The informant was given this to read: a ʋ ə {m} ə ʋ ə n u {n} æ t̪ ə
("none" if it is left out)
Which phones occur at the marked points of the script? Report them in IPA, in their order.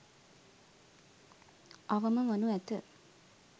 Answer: m, none

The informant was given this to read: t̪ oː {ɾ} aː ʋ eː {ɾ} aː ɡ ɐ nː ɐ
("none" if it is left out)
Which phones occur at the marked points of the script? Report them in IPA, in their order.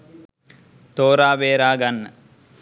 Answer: ɾ, ɾ

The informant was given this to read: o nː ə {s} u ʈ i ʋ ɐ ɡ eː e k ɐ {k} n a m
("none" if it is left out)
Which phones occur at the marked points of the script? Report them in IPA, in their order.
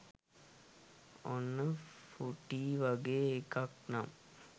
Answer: f, k

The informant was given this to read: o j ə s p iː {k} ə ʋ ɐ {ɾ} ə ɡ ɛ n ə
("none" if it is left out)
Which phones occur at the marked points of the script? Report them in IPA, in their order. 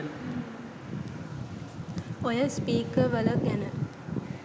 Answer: k, l

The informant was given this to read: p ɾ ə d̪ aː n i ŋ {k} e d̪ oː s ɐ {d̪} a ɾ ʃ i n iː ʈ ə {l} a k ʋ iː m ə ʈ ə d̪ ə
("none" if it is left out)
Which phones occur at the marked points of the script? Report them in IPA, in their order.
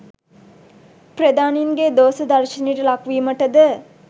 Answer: ɡ, d̪, l

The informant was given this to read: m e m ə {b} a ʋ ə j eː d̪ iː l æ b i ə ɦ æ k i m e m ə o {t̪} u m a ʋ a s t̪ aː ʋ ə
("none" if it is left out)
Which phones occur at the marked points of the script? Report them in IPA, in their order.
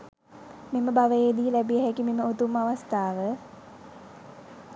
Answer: b, t̪

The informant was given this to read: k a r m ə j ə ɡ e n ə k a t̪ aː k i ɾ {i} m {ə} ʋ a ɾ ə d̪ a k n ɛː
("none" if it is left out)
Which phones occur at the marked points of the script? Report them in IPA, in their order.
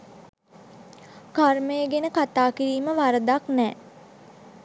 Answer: iː, ə

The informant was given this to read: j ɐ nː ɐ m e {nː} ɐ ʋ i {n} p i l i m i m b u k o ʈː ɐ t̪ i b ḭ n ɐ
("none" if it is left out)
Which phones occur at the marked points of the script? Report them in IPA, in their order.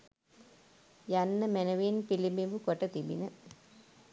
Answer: n, n

